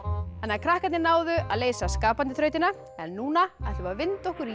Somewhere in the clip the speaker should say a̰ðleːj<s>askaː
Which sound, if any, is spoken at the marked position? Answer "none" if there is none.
s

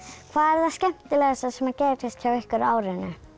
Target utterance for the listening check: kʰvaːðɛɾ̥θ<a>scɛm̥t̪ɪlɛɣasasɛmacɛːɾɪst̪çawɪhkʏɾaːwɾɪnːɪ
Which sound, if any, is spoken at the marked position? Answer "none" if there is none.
a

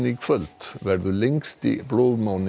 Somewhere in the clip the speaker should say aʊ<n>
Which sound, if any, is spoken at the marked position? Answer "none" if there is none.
n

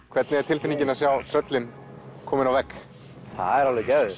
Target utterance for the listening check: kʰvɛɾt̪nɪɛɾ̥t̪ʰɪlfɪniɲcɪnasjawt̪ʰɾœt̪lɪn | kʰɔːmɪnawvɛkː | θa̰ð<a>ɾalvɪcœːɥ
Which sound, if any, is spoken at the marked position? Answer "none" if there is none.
ɛ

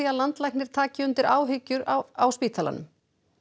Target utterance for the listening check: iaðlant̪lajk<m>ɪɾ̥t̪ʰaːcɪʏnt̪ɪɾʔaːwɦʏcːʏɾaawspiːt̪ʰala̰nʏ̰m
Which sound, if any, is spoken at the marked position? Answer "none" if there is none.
n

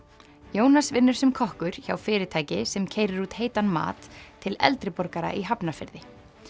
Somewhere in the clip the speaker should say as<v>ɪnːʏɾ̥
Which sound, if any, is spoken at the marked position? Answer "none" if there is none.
v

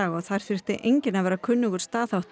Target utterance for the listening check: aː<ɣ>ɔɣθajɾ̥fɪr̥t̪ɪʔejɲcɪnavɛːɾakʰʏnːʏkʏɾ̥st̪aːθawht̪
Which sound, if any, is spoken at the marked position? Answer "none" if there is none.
ɣ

